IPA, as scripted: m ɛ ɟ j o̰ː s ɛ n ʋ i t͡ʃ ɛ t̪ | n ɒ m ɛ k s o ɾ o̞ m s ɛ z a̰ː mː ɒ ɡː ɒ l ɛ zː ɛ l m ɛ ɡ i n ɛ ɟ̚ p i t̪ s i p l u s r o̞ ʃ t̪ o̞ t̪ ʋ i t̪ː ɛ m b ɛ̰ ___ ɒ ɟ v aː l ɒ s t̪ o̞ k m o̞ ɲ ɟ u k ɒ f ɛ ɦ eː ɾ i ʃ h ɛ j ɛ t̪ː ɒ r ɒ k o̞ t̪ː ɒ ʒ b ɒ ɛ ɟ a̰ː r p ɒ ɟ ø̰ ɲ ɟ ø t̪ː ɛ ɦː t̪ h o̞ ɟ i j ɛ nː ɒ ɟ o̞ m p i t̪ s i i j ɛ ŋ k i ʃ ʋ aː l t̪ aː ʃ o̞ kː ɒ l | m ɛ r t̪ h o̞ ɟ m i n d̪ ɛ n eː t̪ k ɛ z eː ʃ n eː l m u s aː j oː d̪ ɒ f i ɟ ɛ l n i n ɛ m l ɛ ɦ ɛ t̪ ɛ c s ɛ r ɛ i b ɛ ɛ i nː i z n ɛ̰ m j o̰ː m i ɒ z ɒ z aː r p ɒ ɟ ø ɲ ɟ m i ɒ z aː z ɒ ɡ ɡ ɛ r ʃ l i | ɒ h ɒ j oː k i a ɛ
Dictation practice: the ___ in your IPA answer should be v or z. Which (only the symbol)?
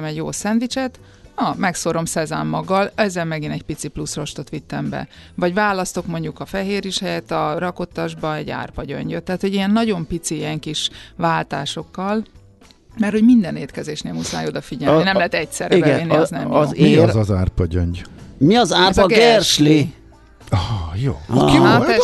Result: v